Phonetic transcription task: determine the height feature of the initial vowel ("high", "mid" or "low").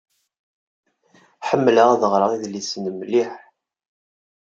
mid